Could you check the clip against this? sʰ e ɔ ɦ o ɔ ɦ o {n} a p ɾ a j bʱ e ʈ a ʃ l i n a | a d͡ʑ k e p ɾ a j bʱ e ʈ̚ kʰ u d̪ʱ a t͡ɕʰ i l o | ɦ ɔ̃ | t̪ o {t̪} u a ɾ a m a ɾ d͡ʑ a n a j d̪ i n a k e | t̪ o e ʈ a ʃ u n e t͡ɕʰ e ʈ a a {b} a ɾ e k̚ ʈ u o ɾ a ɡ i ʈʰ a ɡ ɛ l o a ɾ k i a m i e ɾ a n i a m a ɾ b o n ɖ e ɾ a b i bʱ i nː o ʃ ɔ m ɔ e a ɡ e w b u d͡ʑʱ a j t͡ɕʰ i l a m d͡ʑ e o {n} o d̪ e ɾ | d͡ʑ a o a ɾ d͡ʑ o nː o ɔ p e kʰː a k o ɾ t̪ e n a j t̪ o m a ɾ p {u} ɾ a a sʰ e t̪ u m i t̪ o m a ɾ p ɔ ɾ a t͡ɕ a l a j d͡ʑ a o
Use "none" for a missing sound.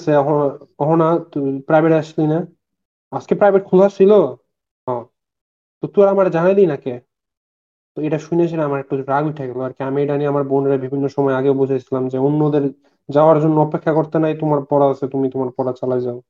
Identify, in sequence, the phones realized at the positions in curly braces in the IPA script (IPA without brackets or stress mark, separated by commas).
n, t̪, m, nː, ɔ